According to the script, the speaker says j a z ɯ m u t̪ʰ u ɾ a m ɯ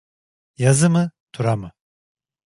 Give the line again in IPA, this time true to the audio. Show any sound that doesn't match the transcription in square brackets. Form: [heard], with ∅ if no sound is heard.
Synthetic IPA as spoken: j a z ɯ m [ɯ] t̪ʰ u ɾ a m ɯ